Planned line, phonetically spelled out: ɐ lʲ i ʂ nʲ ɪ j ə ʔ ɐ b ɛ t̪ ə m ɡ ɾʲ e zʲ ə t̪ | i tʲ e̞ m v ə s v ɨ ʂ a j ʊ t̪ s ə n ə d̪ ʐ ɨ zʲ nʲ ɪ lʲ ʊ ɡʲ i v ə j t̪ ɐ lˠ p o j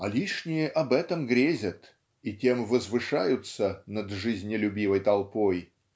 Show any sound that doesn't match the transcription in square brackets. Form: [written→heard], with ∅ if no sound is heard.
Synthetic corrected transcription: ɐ lʲ i ʂ nʲ ɪ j ə ʔ ɐ b ɛ t̪ ə m ɡ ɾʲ e zʲ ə t̪ | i tʲ e̞ m v ə [s→z] v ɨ ʂ a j ʊ t̪ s ə n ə d̪ ʐ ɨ zʲ nʲ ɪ lʲ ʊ [ɡʲ→bʲ] i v ə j t̪ ɐ lˠ p o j